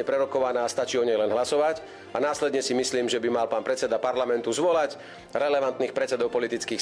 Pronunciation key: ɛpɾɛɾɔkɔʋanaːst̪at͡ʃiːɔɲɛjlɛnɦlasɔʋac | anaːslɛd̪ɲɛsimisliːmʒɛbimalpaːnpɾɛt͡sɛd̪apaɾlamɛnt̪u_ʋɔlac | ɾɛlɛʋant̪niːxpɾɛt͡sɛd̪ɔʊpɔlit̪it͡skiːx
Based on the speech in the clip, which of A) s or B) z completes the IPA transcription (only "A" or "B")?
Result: B